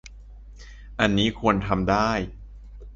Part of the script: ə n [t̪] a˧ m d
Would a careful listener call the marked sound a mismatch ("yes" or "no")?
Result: yes